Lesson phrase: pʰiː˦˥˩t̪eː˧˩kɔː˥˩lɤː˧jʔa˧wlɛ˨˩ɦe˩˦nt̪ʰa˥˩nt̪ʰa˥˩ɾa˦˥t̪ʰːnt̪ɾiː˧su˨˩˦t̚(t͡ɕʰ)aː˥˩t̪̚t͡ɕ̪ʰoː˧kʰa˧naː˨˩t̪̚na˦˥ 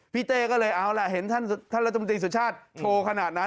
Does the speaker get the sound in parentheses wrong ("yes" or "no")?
no